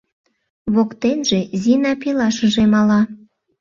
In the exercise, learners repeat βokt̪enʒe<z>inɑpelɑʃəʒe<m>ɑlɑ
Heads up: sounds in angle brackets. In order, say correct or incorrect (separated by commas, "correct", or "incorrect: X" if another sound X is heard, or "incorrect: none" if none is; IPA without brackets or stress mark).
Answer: correct, correct